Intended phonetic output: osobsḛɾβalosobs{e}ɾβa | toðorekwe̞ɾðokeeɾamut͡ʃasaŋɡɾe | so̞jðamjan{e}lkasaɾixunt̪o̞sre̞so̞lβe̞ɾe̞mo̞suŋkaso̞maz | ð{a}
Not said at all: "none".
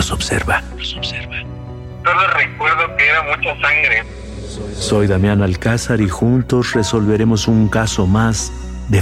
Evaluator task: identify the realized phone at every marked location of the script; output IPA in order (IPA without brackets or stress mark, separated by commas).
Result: e, a, e